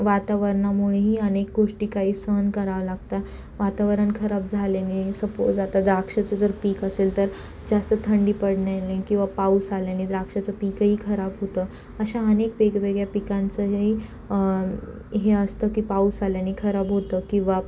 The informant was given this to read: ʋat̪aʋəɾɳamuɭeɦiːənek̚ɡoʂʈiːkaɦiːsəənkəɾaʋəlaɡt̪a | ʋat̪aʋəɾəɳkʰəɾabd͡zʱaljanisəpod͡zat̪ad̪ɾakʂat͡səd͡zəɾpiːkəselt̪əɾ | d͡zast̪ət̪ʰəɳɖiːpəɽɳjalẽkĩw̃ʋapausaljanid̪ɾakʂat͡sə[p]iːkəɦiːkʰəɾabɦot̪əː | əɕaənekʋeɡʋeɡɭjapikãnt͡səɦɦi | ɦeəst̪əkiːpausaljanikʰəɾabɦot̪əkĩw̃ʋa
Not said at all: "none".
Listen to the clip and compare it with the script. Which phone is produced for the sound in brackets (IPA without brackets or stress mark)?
p